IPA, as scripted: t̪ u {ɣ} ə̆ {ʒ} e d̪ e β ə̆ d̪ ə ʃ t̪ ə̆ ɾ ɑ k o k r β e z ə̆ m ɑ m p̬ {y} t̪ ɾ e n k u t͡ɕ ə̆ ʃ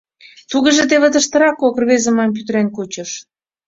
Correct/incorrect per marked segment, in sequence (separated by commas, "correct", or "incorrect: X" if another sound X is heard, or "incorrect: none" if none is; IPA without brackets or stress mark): correct, correct, correct